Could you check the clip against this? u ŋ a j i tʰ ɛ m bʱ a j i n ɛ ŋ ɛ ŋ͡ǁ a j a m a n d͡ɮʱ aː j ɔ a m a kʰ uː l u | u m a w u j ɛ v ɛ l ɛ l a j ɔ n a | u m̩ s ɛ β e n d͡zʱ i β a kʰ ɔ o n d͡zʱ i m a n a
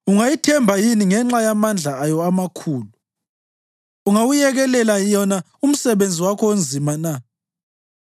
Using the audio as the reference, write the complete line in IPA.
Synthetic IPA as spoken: u ŋ a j i tʰ ɛ m bʱ a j i n i ŋ ɛ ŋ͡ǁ a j a m a n d͡ɮʱ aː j ɔ a m a kʰ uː l u | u ŋ a w u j ɛ ɣ ɛ l ɛ l a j ɔ n a | u m̩ s ɛ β e n d͡zʱ i w a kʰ ɔ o n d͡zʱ i m a n a